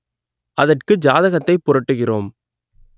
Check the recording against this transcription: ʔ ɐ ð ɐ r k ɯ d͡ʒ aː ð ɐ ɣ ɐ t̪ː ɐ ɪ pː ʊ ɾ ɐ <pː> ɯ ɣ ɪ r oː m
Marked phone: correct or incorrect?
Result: incorrect